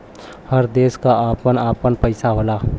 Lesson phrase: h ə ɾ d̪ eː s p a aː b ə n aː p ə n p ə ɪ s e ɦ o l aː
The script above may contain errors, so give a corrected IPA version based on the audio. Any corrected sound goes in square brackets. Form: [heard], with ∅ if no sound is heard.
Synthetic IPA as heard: h ə ɾ d̪ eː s [k] a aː [p] ə n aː p ə n p ə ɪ s [a] ɦ o l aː